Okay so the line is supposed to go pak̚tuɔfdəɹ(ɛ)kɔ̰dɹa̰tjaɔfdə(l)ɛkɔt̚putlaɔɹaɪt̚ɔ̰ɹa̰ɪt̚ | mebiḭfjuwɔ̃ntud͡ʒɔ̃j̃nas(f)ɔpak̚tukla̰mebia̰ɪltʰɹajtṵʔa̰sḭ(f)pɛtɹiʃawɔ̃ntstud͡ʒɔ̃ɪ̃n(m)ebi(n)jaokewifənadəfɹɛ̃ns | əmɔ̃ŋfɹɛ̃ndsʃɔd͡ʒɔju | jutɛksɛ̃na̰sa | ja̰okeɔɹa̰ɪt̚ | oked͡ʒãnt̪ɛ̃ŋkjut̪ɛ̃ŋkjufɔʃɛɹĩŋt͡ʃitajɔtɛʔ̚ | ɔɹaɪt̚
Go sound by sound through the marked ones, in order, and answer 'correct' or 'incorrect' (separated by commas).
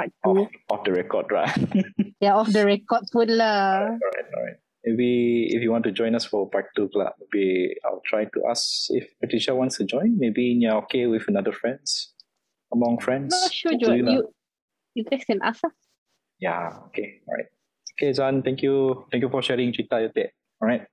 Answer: correct, incorrect, correct, correct, correct, correct